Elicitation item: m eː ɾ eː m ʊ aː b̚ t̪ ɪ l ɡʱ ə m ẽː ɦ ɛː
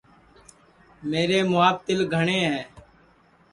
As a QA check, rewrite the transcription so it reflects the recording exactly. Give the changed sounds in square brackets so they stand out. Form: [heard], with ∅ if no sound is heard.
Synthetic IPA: m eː ɾ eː m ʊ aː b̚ t̪ ɪ l ɡʱ ə [ɳ] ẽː ɦ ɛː